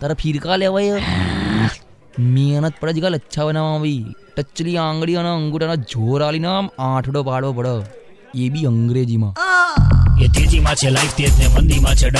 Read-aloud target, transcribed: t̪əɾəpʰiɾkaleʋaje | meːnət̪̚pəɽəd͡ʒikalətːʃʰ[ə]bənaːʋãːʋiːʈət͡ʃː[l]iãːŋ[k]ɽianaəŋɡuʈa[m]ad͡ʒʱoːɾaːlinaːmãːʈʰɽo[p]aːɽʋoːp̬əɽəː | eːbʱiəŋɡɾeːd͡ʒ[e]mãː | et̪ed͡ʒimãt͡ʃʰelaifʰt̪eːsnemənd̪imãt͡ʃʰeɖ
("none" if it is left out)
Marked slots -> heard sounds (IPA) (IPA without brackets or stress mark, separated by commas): a, l, ɡ, n, p, i